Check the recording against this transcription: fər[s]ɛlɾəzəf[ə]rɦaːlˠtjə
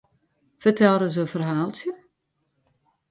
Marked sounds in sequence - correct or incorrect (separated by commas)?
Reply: incorrect, correct